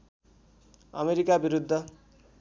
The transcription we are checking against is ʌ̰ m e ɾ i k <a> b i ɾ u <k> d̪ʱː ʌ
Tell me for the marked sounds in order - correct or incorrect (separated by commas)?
correct, incorrect